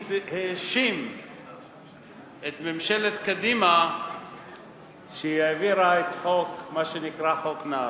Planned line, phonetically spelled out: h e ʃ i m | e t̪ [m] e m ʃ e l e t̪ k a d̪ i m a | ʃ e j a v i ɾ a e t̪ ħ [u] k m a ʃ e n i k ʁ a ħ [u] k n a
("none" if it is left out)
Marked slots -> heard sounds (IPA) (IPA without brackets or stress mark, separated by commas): m, o, o